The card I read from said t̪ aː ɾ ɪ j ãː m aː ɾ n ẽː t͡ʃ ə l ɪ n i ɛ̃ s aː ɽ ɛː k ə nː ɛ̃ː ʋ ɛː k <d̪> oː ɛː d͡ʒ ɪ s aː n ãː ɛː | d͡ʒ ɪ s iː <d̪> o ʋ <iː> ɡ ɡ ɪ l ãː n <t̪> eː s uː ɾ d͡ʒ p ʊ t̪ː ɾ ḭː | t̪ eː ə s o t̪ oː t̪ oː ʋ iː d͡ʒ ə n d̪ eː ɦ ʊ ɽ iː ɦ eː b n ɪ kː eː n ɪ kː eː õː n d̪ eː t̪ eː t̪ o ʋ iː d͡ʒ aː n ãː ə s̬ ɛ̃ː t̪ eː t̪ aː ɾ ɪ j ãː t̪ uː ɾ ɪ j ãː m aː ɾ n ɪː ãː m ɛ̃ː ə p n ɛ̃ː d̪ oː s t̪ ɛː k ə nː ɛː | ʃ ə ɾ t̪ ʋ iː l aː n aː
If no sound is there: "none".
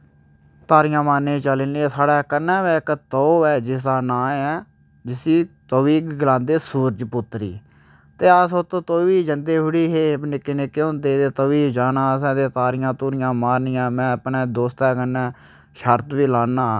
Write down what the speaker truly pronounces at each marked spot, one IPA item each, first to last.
t̪, t̪, iː, d̪

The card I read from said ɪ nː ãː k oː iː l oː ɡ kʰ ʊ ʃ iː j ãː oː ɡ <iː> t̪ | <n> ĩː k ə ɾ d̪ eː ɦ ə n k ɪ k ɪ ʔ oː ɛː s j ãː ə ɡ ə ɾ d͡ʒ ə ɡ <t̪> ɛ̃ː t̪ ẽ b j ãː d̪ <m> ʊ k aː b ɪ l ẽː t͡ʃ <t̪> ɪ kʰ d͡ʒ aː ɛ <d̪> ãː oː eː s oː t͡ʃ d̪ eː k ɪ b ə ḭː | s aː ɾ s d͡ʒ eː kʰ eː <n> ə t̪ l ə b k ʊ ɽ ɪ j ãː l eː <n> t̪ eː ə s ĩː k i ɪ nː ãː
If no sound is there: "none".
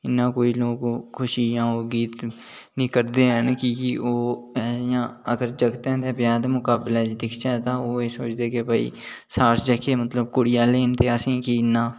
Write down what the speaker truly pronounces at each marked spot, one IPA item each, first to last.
iː, n, t̪, m, d̪, t̪, m, n

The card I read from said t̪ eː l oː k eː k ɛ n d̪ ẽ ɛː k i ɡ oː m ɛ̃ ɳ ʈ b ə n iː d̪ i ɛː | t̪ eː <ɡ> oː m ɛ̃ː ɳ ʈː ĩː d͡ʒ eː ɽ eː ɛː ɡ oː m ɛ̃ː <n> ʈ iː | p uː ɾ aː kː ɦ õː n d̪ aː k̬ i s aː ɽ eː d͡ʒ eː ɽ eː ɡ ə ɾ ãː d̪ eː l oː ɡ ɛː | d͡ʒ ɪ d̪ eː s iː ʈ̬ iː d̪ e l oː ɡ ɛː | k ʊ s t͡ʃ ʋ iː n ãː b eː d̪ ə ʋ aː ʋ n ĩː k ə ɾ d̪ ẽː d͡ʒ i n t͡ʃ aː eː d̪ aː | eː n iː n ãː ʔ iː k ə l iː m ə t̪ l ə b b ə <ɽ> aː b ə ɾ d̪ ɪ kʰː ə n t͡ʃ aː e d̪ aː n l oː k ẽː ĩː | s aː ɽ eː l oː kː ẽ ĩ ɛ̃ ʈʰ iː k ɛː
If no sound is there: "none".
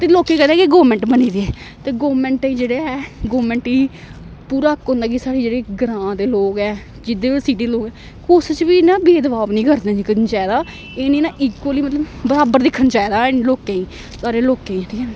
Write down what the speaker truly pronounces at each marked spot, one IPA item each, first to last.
ɡ, ɳ, ɾ

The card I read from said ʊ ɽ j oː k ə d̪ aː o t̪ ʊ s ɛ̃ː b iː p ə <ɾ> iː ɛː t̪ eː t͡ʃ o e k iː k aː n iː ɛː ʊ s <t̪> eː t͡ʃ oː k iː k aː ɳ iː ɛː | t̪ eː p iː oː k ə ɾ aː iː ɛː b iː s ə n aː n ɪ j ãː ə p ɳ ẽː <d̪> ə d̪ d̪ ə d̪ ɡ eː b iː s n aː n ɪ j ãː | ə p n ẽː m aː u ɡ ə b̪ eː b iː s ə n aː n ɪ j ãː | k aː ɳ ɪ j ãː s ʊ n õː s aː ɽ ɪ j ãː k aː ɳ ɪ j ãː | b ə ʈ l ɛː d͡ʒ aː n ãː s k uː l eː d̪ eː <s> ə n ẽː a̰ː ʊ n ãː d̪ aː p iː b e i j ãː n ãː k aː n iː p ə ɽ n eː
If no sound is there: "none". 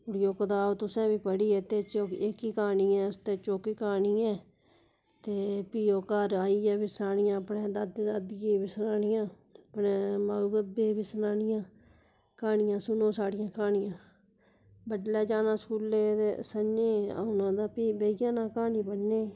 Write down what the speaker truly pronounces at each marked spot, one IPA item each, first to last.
ɽ, t̪, d̪, s

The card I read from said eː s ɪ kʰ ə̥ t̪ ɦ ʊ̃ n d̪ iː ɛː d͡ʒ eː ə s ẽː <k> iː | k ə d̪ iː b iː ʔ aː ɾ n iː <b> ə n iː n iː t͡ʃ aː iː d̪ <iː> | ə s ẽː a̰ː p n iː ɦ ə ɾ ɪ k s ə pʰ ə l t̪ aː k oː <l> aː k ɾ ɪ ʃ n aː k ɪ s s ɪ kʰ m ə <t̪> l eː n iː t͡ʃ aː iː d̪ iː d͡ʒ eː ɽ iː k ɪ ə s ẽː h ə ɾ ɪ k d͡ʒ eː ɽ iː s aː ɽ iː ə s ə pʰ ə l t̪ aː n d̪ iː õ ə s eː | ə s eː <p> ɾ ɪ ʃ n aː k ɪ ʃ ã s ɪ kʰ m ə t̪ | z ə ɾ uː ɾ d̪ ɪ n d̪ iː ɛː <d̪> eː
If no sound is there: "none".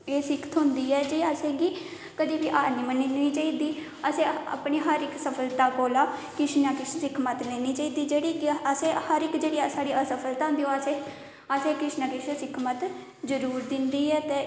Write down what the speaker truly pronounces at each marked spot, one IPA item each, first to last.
ɡ, m, iː, l, t̪, k, t̪

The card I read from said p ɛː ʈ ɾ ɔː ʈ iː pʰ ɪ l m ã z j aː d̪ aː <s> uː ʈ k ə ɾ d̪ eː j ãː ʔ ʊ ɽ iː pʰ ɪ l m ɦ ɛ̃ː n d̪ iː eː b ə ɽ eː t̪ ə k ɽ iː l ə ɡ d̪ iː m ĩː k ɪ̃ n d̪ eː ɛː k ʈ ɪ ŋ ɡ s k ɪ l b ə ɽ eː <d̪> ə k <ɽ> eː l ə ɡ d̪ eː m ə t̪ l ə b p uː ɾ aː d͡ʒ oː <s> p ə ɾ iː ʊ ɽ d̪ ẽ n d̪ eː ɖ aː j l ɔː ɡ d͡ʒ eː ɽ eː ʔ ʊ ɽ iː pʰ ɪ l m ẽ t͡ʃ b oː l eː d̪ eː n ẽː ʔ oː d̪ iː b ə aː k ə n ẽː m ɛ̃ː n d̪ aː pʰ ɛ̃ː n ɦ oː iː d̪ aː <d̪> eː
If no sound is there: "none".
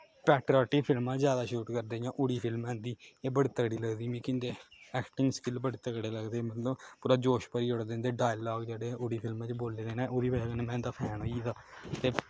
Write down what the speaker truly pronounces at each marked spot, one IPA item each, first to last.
ʃ, t̪, ɽ, ʃ, t̪

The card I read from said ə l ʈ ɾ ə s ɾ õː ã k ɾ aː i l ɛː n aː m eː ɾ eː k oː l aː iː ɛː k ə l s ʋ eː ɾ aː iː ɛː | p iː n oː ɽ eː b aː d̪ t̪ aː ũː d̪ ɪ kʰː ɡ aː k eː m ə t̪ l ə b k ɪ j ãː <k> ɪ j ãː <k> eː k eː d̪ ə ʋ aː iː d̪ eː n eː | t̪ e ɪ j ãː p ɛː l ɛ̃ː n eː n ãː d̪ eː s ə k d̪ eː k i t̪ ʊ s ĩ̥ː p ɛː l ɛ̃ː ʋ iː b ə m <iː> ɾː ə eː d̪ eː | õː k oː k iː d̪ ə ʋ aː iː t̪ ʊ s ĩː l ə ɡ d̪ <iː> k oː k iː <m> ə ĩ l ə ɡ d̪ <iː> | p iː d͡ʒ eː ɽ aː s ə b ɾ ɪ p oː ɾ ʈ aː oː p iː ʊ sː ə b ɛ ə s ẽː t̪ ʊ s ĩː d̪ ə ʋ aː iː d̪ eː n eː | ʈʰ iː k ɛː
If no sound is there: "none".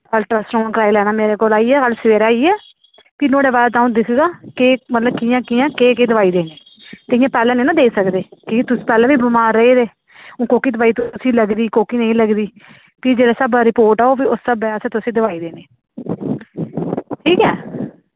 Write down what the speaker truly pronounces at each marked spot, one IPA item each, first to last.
k, k, aː, iː, n, iː

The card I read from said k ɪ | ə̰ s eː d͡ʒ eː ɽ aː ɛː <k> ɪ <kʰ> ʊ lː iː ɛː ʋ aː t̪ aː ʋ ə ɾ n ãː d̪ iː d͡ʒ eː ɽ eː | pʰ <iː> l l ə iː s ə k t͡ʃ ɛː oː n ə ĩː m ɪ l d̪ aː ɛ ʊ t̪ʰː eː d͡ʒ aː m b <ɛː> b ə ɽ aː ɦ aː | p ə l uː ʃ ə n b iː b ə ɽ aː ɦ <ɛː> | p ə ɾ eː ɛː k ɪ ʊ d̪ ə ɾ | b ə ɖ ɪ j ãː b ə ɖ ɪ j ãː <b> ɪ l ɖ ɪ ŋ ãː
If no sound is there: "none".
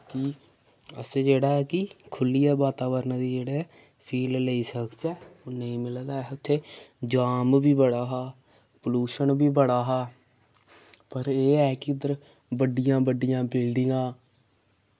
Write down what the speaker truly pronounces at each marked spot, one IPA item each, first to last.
k, kʰ, iː, iː, aː, b

